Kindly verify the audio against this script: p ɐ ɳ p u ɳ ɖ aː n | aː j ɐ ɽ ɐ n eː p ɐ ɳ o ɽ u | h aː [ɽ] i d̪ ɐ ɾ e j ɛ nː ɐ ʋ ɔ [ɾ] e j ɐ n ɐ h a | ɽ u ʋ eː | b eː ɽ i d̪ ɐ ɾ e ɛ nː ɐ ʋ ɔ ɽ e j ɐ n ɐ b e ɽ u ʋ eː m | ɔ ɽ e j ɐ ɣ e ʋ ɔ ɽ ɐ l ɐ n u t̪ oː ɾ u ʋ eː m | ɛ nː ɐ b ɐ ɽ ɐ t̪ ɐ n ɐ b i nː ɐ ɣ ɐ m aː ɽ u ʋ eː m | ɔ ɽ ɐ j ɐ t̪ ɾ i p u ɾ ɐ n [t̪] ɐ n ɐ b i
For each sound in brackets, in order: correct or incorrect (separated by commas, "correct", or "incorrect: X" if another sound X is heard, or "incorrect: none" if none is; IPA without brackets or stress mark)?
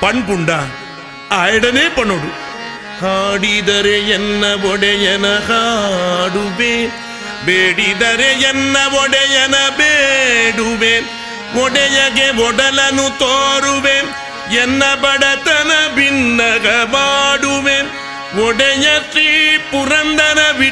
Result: correct, incorrect: ɽ, incorrect: d̪